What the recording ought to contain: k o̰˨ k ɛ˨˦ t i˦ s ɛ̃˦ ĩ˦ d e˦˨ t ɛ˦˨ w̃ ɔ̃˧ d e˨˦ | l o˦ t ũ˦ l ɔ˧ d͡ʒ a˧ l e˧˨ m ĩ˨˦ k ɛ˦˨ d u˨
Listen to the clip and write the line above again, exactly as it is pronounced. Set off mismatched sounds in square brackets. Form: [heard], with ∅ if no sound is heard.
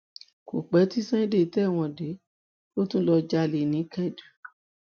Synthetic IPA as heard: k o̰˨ [k͡p] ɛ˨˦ t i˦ s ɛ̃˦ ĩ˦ d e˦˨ t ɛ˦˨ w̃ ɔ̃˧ d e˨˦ | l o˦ t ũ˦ l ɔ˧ d͡ʒ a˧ l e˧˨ [n] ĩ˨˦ k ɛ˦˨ d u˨